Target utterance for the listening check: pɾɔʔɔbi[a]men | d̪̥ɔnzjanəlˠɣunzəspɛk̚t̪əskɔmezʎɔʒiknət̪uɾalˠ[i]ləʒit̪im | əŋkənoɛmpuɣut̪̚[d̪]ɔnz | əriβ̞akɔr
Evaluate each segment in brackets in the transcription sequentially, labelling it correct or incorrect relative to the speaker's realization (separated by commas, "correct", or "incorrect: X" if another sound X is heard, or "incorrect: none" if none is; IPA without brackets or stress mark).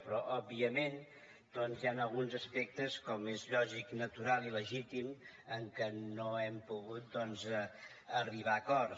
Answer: incorrect: ə, correct, correct